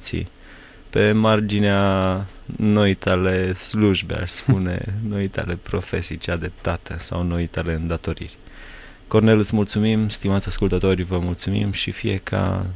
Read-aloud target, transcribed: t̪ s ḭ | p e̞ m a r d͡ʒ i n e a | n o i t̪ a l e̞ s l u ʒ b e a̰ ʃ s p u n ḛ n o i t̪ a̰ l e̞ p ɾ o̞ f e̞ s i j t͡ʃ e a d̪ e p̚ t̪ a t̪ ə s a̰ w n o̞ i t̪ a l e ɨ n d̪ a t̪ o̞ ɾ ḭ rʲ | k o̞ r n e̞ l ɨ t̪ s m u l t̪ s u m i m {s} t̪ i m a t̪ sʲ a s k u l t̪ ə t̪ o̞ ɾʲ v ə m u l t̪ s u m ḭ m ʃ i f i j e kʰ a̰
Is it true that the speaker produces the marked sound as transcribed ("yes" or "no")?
yes